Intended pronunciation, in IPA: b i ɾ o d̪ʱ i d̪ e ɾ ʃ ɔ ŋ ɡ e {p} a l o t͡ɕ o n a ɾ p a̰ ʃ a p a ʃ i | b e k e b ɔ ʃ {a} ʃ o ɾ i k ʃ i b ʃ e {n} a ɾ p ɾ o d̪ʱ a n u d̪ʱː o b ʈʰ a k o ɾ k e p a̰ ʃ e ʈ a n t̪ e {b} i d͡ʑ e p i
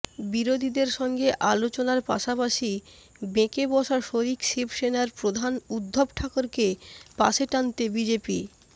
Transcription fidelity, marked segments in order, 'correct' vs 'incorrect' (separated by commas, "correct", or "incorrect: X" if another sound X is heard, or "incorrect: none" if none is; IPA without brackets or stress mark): incorrect: ʔ, correct, correct, correct